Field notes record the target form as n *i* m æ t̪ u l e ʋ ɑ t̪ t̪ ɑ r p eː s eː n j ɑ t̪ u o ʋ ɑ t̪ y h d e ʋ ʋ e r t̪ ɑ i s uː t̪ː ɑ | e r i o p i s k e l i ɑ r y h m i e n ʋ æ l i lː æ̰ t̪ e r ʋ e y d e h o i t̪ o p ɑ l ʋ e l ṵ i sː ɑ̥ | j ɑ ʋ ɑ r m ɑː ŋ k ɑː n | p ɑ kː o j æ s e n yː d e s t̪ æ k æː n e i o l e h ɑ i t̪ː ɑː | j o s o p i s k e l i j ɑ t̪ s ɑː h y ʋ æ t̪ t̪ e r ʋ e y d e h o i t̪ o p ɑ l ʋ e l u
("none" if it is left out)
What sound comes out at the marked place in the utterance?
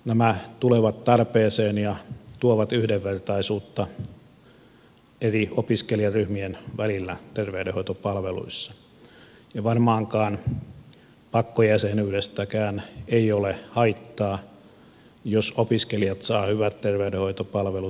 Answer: æ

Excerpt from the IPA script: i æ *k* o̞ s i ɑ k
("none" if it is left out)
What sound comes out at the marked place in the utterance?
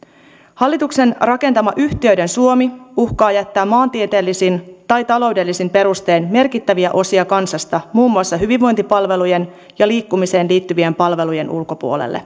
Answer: ʔ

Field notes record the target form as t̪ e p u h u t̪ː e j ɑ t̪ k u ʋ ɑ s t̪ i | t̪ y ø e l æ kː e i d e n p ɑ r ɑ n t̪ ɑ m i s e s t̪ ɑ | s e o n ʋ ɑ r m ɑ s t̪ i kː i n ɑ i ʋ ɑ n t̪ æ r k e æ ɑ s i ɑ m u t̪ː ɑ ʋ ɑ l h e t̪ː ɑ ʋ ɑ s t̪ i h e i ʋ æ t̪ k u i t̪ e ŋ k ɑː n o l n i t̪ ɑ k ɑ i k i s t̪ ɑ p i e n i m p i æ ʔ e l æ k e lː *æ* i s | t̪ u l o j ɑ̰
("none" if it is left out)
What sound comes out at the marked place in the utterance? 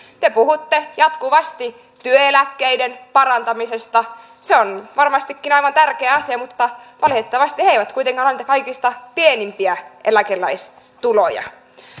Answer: æ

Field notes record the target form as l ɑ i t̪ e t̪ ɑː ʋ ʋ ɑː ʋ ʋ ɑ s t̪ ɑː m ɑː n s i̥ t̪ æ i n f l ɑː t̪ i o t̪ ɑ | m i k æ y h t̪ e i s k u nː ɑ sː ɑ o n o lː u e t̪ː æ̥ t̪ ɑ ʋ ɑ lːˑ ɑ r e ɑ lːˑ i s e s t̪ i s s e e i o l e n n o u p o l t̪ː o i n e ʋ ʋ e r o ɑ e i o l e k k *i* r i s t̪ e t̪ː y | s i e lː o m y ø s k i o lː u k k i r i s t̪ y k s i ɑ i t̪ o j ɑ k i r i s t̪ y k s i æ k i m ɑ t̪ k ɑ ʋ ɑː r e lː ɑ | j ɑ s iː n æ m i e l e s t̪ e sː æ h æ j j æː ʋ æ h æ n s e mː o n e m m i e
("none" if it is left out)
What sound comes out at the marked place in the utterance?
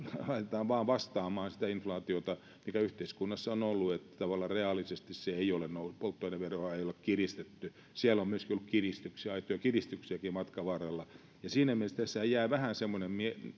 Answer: i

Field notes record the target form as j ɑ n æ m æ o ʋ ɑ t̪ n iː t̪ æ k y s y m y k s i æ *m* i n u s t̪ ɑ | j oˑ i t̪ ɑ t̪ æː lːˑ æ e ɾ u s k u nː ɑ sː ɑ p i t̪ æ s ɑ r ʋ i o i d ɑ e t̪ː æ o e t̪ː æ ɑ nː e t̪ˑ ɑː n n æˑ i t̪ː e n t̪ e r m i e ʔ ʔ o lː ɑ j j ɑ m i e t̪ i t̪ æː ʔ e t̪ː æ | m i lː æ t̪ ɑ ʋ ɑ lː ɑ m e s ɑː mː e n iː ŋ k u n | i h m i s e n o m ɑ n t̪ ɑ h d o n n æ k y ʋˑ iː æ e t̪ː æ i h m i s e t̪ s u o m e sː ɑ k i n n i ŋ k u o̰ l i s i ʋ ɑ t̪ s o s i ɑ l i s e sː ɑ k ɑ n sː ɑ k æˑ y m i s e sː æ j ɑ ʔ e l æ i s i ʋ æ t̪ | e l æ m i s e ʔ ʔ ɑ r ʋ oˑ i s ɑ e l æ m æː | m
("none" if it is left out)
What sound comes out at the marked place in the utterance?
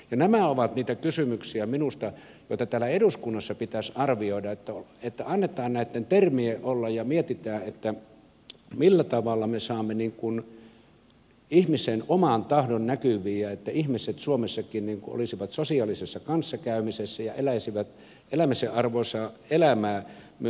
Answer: m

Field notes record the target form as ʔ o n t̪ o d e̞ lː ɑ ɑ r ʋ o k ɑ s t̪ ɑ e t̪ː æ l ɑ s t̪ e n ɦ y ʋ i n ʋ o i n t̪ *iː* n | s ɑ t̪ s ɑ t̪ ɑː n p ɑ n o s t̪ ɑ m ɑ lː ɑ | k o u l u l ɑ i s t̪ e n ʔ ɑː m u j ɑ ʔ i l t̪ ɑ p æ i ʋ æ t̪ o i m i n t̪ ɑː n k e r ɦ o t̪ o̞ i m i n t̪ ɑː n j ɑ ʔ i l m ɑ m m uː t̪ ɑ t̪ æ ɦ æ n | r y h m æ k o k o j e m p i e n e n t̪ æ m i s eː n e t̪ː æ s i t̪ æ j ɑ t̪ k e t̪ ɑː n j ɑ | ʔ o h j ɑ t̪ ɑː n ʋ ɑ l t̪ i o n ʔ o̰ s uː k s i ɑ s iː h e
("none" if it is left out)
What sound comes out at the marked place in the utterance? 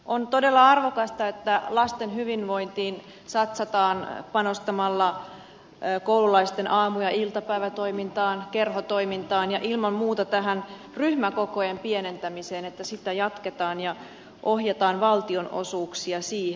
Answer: iː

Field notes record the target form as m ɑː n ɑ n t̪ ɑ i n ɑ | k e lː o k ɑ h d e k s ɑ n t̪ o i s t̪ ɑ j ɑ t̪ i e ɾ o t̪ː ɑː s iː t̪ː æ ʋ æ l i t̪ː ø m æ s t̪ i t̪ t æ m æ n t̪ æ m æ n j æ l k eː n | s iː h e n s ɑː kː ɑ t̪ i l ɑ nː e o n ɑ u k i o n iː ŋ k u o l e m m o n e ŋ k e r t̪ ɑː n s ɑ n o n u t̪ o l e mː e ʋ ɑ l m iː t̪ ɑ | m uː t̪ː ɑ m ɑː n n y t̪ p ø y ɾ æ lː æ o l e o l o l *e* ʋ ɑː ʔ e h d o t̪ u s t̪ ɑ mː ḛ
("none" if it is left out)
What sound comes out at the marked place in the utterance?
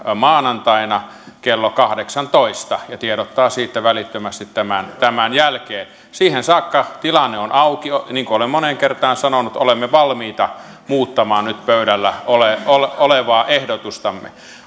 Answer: e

